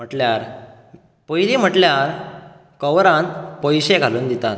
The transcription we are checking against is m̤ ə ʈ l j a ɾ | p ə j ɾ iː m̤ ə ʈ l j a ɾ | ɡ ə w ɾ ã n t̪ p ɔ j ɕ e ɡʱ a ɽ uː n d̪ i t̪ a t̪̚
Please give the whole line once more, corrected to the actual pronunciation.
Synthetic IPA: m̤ ə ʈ l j a ɾ | p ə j l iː m̤ ə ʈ l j a ɾ | k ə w ɾ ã n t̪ p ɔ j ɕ e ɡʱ a l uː n d̪ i t̪ a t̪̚